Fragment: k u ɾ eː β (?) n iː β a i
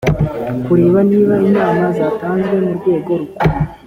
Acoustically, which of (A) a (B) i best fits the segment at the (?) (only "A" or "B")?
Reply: A